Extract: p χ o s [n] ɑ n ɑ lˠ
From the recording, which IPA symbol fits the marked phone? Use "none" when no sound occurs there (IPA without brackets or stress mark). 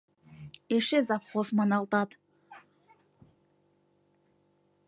m